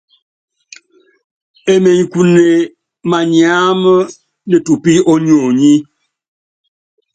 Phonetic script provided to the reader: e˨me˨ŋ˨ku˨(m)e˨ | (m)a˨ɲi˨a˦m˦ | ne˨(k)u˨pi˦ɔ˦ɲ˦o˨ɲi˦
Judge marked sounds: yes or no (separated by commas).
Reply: no, yes, no